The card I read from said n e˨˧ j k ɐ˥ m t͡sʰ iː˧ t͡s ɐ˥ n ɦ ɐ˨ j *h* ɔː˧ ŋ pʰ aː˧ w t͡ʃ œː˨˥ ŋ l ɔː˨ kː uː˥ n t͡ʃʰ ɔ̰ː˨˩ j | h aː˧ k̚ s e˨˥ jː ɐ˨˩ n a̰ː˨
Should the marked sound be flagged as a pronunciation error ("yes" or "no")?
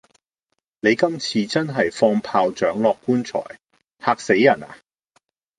yes